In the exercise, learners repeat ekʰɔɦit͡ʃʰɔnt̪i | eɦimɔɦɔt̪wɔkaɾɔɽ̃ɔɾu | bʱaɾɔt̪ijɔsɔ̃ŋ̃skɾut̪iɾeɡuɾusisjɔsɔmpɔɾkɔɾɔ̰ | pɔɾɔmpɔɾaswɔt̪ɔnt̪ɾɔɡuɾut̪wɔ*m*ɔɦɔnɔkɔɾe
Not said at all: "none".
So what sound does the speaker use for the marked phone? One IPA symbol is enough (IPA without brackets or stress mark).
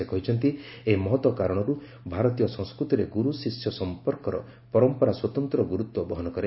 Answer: b